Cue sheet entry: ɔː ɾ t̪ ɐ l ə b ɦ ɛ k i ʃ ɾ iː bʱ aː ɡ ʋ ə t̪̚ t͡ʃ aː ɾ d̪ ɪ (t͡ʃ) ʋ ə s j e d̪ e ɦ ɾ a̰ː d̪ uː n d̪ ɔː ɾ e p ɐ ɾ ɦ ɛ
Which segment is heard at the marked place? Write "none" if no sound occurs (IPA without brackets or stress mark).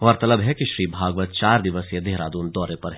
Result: none